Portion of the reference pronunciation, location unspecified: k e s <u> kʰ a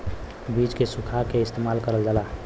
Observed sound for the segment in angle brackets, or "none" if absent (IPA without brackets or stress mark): u